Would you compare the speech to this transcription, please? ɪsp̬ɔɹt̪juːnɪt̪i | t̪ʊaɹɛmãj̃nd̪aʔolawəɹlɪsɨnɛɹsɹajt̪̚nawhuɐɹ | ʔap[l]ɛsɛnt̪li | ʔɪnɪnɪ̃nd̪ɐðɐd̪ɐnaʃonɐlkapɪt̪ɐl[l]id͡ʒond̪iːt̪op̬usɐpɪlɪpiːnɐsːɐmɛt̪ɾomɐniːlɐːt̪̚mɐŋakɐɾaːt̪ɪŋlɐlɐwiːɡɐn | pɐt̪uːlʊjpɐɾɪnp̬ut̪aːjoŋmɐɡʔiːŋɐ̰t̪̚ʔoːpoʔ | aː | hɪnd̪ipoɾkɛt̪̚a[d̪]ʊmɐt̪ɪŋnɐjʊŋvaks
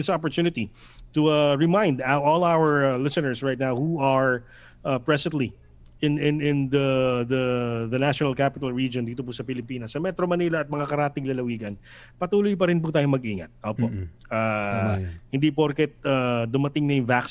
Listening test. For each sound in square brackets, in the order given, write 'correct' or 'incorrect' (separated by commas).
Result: incorrect, incorrect, correct